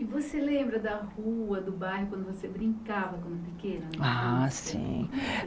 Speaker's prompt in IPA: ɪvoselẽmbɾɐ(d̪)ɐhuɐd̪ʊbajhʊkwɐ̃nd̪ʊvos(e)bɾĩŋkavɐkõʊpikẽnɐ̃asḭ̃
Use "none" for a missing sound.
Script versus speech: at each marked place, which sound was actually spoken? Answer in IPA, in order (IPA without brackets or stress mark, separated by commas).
d̪, e